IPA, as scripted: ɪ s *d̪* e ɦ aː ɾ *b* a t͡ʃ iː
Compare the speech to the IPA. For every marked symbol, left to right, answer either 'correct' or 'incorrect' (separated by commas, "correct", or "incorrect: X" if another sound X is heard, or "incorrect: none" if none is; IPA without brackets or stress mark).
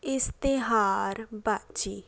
incorrect: t̪, correct